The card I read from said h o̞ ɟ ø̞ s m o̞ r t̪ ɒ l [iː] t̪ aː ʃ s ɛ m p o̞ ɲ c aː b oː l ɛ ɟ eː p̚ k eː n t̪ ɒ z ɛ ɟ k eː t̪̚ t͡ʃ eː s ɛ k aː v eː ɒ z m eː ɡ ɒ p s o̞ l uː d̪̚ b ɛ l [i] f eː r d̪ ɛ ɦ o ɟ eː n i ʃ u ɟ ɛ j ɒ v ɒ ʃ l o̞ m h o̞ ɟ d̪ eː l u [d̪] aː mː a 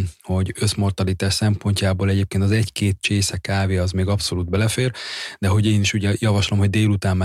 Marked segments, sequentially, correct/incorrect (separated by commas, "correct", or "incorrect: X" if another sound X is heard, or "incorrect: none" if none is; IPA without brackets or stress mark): incorrect: i, incorrect: ɛ, incorrect: t̪